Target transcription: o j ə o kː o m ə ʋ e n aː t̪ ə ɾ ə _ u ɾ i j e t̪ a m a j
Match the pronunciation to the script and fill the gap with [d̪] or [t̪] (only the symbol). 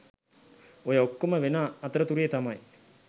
t̪